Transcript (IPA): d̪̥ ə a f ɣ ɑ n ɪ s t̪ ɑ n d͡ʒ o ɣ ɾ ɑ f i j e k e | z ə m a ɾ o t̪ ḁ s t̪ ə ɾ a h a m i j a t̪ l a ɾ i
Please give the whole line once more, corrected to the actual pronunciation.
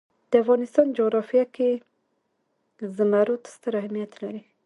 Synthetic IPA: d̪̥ ə a f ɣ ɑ n ɪ s t̪ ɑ n d͡ʒ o ɣ ɾ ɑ f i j a k e | z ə m a ɾ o t̪ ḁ s t̪ ə ɾ a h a m i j a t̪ l a ɾ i